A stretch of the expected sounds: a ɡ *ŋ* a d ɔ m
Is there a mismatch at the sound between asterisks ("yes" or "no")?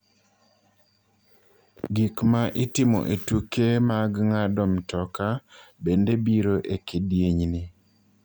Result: no